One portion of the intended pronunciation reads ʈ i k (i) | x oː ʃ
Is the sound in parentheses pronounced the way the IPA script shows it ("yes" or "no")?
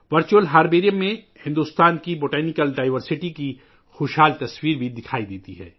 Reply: yes